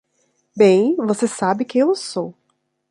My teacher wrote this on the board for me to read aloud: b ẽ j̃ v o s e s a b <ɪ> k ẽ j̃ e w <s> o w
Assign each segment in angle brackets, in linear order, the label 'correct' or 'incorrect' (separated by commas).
correct, correct